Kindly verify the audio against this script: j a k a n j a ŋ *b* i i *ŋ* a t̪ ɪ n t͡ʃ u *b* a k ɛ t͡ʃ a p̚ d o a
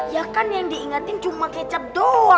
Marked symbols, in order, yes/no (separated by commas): no, yes, no